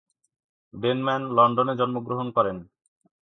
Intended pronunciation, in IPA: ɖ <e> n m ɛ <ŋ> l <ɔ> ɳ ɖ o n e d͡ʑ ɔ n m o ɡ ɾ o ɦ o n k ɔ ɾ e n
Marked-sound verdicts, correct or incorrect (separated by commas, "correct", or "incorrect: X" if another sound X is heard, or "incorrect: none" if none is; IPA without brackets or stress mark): correct, incorrect: n, correct